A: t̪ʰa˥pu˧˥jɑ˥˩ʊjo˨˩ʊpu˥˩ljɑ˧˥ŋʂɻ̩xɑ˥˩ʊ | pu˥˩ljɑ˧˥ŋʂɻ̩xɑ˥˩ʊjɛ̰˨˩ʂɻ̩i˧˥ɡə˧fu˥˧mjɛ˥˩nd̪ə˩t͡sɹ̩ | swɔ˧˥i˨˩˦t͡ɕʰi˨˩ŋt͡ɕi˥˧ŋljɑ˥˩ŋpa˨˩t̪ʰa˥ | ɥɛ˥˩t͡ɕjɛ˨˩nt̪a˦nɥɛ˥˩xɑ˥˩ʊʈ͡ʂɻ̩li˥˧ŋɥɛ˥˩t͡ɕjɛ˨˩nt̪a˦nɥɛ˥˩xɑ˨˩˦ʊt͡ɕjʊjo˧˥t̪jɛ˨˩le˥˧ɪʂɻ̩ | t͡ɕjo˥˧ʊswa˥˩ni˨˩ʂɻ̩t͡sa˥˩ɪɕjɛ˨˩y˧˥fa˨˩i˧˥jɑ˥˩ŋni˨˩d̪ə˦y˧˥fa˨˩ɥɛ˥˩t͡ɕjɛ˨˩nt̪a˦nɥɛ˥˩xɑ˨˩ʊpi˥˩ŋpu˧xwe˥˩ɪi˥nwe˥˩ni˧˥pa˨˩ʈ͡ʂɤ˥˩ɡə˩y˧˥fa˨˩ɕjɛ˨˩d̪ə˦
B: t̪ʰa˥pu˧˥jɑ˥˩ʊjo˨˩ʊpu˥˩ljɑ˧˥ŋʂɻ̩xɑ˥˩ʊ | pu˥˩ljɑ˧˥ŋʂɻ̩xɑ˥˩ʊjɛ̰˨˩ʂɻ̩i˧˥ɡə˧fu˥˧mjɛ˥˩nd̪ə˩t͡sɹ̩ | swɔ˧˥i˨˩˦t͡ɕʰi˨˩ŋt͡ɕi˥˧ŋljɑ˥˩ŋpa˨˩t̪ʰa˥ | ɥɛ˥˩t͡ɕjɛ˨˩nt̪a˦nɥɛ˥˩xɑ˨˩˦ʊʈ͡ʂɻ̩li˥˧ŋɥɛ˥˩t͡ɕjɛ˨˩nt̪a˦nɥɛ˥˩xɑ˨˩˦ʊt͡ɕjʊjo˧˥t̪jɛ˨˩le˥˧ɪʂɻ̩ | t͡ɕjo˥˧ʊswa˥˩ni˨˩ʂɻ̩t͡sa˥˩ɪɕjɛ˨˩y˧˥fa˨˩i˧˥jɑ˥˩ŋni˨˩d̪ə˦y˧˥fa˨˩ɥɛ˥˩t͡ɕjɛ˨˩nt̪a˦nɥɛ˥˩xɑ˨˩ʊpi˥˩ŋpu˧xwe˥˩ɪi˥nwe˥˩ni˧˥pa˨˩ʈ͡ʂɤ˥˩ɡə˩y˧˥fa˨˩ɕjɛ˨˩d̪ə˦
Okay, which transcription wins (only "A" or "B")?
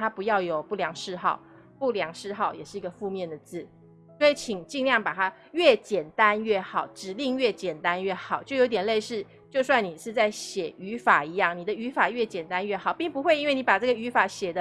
B